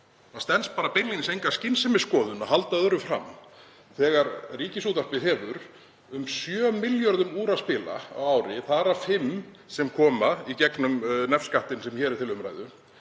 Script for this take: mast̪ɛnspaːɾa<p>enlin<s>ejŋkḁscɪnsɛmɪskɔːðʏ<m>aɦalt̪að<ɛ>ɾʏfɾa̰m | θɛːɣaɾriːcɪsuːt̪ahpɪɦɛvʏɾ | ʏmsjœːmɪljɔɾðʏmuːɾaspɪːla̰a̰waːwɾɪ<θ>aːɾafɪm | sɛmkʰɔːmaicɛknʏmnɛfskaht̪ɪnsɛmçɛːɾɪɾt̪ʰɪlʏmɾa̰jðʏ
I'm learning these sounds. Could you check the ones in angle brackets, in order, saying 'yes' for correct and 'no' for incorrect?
yes, yes, no, no, yes

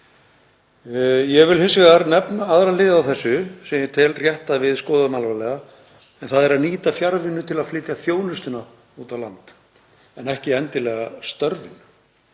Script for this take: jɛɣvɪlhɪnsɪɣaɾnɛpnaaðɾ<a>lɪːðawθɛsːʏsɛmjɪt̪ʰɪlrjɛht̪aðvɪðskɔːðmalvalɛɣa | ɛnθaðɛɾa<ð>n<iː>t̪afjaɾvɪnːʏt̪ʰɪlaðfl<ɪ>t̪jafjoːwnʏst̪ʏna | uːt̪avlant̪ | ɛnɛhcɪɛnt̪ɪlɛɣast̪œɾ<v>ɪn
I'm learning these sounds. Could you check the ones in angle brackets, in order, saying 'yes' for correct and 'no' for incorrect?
yes, yes, yes, no, yes

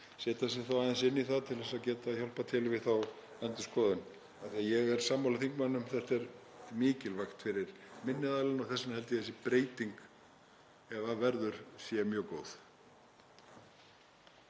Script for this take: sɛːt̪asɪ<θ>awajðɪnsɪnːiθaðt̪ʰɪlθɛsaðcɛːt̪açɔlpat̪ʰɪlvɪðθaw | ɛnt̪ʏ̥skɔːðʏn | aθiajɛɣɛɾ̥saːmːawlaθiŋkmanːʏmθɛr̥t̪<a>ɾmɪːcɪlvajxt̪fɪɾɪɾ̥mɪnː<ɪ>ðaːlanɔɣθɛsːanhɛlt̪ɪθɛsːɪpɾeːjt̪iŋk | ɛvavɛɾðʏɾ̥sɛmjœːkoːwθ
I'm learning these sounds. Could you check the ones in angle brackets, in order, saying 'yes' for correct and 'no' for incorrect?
yes, no, yes

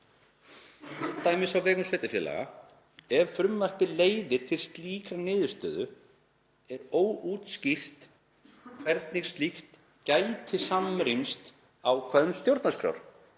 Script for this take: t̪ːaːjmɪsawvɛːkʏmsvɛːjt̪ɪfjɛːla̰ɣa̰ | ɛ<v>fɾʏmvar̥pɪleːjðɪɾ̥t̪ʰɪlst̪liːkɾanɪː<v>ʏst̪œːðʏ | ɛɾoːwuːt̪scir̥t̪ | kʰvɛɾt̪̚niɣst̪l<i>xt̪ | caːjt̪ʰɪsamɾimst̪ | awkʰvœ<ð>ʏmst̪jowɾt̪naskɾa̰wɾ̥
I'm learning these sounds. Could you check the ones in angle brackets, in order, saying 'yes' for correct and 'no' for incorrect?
yes, no, yes, yes

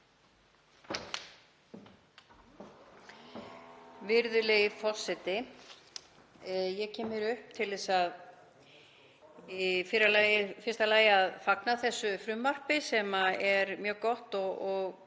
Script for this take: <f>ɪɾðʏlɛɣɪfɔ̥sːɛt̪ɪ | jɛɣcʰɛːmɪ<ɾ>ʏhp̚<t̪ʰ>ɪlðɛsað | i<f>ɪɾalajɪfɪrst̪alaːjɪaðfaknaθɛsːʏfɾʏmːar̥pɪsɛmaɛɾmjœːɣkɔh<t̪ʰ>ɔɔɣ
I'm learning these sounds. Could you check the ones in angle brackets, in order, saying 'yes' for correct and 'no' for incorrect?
no, yes, yes, yes, no

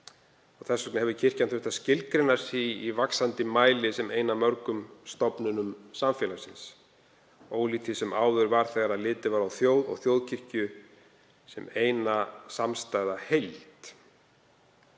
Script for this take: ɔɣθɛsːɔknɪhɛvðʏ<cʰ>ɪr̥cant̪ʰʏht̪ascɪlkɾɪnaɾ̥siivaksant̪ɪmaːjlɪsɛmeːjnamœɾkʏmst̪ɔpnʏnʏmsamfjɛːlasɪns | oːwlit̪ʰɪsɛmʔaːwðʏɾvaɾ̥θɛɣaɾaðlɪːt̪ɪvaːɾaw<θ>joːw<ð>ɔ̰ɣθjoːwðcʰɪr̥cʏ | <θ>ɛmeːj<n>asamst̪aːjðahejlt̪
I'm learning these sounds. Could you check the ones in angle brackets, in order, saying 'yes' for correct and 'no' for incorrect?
yes, yes, yes, no, yes

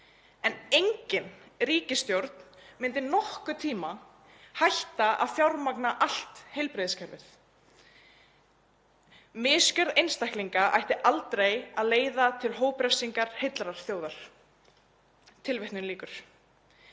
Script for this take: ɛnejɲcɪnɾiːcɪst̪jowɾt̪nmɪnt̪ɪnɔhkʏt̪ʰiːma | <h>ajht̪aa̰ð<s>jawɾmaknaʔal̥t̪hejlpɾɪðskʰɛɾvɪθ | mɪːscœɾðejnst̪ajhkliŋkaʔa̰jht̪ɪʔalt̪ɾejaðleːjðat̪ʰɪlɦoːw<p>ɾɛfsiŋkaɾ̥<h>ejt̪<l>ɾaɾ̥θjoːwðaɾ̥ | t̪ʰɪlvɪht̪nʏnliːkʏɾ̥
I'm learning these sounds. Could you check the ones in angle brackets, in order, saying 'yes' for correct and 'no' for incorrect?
yes, no, yes, yes, yes

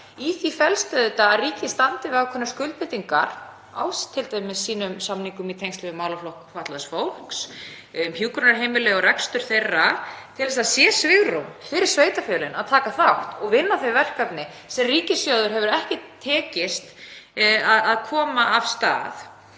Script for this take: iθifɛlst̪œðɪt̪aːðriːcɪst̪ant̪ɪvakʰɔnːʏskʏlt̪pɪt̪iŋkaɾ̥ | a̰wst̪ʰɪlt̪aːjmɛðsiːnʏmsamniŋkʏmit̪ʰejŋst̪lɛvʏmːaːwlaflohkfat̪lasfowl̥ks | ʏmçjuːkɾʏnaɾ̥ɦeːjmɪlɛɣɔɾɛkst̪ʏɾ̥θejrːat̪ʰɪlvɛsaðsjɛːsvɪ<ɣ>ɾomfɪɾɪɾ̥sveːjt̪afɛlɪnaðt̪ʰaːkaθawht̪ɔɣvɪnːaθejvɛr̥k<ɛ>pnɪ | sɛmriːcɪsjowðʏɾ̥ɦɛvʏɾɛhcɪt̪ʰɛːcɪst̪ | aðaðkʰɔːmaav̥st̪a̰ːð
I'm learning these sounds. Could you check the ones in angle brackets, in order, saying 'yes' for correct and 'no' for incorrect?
yes, no

